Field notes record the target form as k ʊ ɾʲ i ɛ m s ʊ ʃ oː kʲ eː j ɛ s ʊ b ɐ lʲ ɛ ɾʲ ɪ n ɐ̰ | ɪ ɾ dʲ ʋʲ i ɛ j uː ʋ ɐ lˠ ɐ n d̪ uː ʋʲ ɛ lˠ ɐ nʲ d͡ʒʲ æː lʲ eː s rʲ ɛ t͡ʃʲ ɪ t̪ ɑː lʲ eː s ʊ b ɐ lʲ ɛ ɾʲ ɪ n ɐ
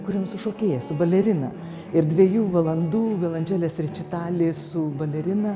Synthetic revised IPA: k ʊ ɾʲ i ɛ m s ʊ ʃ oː kʲ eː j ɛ s ʊ b ɐ lʲ ɛ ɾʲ ɪ n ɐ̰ | ɪ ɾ dʲ ʋʲ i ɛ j uː ʋ ɐ lˠ ɐ n d̪ uː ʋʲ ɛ lˠ ɐ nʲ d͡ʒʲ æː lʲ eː s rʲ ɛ t͡ʃʲ ɪ t̪ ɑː lʲ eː s ʊ b ɐ lʲ ɛ ɾʲ ɪ n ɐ